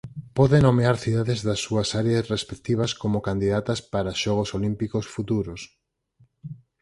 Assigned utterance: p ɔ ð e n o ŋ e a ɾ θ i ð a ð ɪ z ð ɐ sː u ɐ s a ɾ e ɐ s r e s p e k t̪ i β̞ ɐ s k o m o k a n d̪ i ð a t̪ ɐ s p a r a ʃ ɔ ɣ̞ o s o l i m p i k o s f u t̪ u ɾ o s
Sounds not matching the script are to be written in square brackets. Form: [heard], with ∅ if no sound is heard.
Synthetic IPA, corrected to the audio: p ɔ ð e n o [m] e a ɾ θ i ð a ð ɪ z ð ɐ sː u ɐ s a ɾ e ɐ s r e s p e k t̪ i β̞ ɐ s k o m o k a n d̪ i ð a t̪ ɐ s p a [ɾ] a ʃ ɔ ɣ̞ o s o l i m p i k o s f u t̪ u ɾ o s